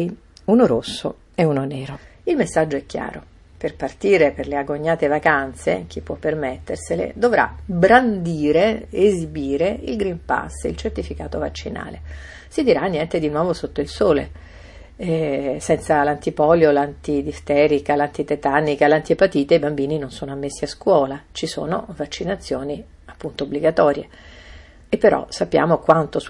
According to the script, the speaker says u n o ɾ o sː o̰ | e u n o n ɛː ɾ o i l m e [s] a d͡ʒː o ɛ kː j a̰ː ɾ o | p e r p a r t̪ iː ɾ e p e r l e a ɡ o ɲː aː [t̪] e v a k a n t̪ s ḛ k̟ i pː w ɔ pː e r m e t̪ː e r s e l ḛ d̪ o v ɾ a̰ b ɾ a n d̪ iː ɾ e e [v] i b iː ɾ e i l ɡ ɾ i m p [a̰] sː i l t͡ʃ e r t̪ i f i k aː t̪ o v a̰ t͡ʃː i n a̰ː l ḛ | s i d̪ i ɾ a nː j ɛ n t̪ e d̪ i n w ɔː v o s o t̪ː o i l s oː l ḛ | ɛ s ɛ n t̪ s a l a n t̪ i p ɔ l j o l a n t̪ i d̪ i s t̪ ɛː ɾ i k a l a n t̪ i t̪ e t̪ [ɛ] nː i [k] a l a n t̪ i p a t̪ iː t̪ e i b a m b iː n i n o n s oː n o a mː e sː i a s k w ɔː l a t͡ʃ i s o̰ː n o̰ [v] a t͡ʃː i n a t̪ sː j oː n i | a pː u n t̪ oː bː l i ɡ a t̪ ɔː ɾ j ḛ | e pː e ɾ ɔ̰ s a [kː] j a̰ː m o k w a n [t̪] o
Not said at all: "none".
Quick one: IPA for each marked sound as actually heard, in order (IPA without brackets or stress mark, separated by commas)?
sː, t̪, z, a̰, a, k, v, pː, t̪